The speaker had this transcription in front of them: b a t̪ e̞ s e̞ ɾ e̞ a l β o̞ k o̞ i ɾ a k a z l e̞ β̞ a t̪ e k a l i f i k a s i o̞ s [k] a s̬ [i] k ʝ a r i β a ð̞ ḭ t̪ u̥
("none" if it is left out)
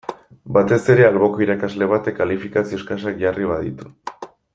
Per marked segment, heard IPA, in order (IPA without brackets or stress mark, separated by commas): k, a